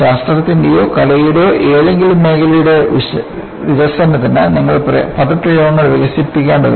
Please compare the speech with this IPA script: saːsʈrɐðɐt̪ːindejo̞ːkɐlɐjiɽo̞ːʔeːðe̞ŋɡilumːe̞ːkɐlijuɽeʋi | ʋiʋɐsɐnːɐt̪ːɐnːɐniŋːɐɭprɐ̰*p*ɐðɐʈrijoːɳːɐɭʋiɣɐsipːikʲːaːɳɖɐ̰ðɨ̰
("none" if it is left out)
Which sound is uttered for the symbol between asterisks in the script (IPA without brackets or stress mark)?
p